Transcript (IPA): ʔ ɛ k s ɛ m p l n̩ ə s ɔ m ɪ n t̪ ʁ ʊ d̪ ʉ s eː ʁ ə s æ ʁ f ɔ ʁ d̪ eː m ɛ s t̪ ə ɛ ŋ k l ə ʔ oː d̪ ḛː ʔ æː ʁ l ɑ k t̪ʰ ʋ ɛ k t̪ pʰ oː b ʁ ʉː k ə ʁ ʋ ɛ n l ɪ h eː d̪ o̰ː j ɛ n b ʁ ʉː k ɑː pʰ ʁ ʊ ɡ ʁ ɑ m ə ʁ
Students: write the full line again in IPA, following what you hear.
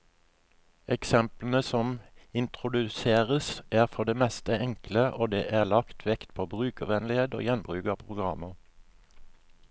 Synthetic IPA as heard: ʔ ɛ k s ɛ m p l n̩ ə s ɔ m ɪ n t̪ ʁ ʊ d̪ ʉ s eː ʁ ə s æː ʁ f ɔ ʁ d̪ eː m ɛ s t̪ ə ɛ ŋ k l ə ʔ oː d̪ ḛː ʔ æː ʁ l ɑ k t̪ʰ ʋ ɛ k t̪ pʰ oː b ʁ ʉː k ə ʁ ʋ ɛ n l ɪ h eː d̪ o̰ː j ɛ n b ʁ ʉː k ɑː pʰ ʁ ʊ ɡ ʁ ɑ m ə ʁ